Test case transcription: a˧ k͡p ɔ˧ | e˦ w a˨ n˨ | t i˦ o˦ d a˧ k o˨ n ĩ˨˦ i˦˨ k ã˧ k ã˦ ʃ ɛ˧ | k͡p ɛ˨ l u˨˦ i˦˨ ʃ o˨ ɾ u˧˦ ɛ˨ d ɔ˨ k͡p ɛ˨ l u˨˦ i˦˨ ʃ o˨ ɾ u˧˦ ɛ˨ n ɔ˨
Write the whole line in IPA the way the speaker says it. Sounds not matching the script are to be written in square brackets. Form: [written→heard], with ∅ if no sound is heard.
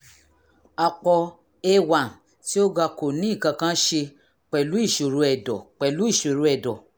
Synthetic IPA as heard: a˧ k͡p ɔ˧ | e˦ w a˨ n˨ | t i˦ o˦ [d→ɡ] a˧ k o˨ n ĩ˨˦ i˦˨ k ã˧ k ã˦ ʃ [ɛ˧→e˧] | k͡p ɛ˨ l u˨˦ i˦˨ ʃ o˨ ɾ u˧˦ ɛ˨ d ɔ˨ k͡p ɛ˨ l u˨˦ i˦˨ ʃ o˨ ɾ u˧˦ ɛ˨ [n→d] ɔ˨

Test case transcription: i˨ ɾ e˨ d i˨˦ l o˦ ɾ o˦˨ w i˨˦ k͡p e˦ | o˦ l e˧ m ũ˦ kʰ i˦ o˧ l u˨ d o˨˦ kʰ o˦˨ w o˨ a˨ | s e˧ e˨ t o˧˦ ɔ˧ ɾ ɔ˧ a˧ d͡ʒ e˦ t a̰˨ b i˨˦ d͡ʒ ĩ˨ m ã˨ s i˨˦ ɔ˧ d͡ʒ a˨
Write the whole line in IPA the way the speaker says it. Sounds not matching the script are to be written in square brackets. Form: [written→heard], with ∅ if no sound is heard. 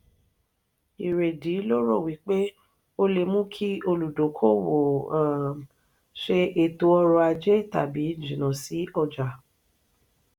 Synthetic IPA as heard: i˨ ɾ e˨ d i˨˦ l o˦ ɾ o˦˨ w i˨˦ k͡p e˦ | o˦ l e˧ m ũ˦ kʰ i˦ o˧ l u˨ d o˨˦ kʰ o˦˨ w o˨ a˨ | [s→ʃ] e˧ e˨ t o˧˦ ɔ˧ ɾ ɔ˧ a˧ d͡ʒ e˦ t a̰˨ b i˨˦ d͡ʒ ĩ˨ [m→n] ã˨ s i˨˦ ɔ˧ d͡ʒ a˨

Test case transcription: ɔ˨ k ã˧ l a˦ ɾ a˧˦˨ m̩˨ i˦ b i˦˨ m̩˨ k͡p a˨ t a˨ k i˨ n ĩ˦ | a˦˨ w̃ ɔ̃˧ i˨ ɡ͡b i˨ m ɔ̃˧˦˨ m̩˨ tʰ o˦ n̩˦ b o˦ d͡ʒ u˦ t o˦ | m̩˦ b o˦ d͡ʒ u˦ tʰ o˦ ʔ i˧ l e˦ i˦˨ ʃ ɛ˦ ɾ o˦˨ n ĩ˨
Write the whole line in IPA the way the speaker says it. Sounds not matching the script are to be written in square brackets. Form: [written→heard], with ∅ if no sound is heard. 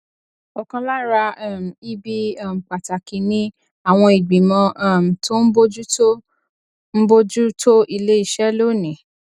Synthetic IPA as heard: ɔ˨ k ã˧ l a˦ ɾ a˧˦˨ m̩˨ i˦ b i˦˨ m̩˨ k͡p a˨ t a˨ k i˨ n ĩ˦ | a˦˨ w̃ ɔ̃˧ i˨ ɡ͡b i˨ m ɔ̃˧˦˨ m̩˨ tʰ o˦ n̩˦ b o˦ d͡ʒ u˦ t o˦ | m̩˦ b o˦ d͡ʒ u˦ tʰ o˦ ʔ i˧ l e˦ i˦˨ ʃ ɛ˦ [ɾ→l] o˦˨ n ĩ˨

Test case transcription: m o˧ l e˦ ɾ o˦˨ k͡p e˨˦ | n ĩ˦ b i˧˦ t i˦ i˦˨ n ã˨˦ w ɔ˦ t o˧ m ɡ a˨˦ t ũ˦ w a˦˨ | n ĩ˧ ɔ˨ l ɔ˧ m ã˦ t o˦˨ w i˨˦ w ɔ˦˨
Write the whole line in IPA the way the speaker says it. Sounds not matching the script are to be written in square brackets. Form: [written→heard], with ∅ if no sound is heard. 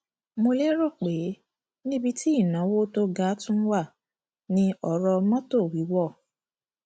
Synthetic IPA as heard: m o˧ l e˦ ɾ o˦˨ k͡p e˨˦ | n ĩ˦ b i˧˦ t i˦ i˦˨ n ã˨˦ w [ɔ˦→o˦] t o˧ [m→∅] ɡ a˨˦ t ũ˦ w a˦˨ | n ĩ˧ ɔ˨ [l→ɾ] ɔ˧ m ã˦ t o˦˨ w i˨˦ w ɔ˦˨

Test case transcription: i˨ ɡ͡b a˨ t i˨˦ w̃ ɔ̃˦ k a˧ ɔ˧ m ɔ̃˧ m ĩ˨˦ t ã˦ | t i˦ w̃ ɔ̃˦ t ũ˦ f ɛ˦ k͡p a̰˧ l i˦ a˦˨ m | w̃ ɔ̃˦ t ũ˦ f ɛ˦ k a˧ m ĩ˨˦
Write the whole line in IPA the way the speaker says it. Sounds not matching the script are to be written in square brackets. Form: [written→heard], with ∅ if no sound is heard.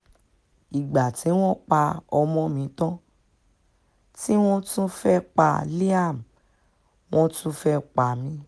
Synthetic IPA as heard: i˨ ɡ͡b a˨ t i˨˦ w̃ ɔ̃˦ [k→k͡p] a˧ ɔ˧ m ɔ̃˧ m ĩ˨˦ t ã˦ | t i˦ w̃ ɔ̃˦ t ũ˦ f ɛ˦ k͡p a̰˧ l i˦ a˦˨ m | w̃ ɔ̃˦ t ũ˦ f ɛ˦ [k→k͡p] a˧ m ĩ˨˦

